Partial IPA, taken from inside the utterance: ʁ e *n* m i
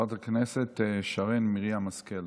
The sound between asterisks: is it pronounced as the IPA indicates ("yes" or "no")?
yes